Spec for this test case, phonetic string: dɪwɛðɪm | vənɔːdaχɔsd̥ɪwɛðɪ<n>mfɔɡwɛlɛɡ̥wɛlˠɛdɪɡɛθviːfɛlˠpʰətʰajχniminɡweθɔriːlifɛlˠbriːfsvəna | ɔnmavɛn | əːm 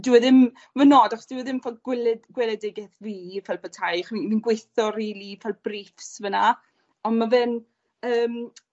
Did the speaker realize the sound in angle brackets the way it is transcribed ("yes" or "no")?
no